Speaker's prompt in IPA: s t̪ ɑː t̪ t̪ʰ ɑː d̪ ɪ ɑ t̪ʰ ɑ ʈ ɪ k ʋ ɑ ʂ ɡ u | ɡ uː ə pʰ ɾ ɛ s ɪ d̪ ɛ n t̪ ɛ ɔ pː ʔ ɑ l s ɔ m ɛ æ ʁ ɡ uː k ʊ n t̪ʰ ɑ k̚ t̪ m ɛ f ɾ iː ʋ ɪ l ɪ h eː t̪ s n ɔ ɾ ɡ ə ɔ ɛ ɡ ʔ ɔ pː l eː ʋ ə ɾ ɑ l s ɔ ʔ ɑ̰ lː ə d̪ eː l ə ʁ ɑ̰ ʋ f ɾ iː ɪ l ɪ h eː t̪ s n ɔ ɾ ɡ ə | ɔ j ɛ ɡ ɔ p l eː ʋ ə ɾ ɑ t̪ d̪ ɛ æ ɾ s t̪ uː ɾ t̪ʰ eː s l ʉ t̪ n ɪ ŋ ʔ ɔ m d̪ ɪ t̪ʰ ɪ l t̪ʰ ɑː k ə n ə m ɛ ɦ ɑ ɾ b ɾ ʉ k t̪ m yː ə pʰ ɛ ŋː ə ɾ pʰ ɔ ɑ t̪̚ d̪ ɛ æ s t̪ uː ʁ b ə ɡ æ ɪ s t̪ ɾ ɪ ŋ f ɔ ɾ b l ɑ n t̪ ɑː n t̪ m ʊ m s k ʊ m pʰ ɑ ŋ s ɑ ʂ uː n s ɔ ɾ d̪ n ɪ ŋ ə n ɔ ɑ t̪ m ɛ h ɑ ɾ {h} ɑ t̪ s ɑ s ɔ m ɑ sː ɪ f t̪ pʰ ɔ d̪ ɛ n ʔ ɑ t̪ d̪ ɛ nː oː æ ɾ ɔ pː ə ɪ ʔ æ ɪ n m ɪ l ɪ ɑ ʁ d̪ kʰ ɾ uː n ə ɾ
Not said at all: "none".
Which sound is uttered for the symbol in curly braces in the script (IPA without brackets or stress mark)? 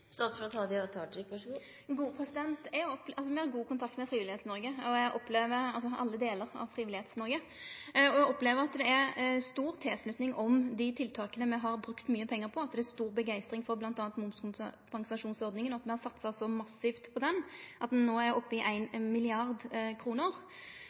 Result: s